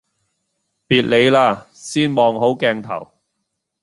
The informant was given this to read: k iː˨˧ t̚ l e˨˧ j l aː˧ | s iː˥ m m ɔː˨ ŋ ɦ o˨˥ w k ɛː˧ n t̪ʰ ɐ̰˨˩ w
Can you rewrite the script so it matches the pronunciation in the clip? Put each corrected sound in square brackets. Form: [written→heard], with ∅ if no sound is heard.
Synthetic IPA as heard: [k→p] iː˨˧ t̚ l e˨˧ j l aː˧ | s iː˥ [m→n] m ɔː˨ ŋ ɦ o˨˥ w k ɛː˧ [n→ŋ] t̪ʰ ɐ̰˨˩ w